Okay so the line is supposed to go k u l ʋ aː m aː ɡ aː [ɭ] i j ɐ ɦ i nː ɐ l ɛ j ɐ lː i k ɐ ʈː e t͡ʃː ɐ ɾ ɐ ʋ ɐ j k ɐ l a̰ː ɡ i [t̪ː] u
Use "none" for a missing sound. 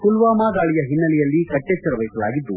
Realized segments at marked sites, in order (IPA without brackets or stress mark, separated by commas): ɭ, d̪ː